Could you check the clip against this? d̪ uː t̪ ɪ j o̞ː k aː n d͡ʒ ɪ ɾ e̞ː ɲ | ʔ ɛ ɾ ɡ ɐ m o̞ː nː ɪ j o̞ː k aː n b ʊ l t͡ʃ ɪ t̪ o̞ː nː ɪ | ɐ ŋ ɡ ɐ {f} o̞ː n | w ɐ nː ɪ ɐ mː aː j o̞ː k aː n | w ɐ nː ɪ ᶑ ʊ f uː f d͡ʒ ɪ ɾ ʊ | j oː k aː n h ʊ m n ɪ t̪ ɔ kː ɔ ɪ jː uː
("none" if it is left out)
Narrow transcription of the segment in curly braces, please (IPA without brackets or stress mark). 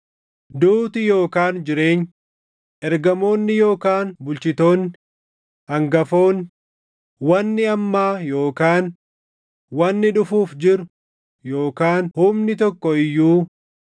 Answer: f